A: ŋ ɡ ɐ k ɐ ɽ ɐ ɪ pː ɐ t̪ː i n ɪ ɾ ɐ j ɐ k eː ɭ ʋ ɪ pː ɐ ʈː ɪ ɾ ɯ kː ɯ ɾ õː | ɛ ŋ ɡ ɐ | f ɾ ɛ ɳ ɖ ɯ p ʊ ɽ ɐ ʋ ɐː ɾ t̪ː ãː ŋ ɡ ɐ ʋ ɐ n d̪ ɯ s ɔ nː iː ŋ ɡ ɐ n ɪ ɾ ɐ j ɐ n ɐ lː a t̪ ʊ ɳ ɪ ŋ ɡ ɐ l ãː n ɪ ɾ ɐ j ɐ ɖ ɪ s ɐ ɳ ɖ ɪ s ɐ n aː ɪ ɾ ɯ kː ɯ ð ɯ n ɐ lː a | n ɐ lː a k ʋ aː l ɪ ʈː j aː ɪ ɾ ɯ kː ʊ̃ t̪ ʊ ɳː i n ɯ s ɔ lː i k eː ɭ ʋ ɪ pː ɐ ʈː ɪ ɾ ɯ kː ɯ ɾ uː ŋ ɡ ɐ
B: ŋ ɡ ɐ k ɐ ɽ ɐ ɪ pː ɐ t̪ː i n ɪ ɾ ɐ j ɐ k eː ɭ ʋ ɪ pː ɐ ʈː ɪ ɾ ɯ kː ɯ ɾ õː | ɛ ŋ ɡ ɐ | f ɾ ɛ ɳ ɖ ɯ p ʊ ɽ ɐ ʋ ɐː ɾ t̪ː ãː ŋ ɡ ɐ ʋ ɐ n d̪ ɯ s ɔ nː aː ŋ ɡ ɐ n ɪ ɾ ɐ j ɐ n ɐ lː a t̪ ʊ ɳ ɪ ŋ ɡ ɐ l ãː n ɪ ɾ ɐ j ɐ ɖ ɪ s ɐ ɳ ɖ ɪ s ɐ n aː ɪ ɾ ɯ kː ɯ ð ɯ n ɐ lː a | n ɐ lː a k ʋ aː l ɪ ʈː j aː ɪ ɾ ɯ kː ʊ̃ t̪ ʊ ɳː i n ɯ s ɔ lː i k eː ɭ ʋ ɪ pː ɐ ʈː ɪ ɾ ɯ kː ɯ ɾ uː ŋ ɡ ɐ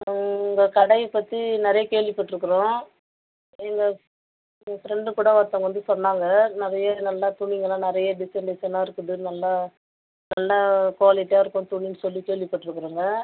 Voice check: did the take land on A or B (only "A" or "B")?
B